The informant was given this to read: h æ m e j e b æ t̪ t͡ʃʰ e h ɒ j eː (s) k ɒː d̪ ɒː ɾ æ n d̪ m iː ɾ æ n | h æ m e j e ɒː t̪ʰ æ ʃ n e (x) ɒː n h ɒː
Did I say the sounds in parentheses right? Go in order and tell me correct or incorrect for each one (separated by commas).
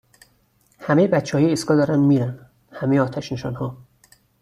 correct, incorrect